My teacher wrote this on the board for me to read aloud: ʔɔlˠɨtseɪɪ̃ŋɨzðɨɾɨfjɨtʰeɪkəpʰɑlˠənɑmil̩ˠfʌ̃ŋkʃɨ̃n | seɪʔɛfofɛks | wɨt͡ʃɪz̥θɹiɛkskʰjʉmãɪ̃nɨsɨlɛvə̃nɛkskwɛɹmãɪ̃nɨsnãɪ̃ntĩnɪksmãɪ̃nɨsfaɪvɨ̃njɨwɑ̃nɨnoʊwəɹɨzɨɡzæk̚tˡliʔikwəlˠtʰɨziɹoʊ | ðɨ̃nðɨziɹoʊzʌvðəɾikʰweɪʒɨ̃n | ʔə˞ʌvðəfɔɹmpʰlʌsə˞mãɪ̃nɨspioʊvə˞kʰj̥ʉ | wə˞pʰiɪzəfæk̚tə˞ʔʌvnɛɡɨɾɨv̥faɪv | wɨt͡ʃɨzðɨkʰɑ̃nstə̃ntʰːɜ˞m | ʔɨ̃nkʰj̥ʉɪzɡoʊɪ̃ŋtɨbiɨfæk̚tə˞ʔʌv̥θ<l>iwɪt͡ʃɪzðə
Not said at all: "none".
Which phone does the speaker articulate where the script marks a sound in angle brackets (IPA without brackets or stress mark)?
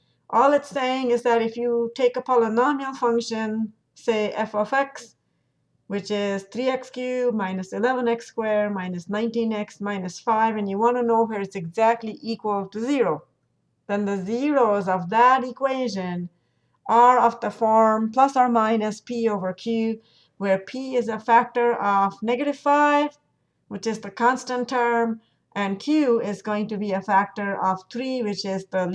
ɹ